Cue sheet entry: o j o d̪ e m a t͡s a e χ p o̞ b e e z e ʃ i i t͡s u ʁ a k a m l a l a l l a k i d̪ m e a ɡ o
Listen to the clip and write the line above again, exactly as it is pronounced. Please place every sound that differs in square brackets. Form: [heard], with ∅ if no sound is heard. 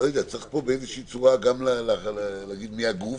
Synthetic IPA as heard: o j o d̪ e [∅] a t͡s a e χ p o̞ b e e z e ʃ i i t͡s u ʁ a [ɡ] a m l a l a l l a [ɡ] i d̪ m [i] a ɡ [u]